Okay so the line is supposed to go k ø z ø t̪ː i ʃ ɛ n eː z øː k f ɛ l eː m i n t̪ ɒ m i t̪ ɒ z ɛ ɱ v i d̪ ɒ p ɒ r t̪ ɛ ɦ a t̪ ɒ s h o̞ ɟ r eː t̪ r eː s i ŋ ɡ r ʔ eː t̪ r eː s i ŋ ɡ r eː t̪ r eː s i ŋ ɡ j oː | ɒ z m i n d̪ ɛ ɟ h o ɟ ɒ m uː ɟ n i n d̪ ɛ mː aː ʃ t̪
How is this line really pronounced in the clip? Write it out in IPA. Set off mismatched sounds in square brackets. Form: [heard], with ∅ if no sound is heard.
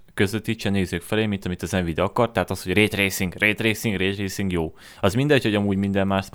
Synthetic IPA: k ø z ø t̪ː i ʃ ɛ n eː z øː k f ɛ l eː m i n t̪ ɒ m i t̪ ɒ z ɛ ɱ v i d̪ ɒ [k] ɒ r t̪ ɛ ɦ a t̪ ɒ s h o̞ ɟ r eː t̪ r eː s i ŋ ɡ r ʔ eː t̪ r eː s i ŋ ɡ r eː t̪ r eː s i ŋ ɡ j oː | ɒ z m i n d̪ ɛ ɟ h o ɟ ɒ m uː ɟ [m] i n d̪ ɛ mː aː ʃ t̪